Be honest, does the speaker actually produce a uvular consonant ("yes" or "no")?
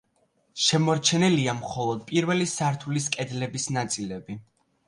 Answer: yes